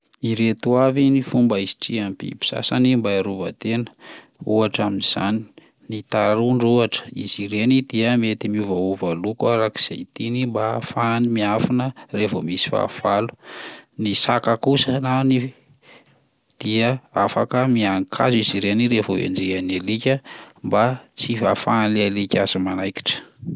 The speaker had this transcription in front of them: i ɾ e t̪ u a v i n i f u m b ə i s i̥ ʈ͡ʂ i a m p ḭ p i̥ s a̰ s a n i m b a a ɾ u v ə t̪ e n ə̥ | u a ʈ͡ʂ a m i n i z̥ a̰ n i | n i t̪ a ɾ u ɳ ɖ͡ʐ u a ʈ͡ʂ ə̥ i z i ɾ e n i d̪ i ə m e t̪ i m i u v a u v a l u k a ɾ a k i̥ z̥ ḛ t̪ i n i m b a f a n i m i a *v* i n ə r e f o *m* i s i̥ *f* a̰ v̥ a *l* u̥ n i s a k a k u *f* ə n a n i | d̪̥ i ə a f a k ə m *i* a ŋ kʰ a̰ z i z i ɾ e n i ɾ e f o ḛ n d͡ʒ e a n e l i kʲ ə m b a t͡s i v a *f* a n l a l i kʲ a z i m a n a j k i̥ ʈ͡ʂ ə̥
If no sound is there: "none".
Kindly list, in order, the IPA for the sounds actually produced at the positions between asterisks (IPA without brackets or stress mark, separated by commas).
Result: f, m, f, l, s, i, f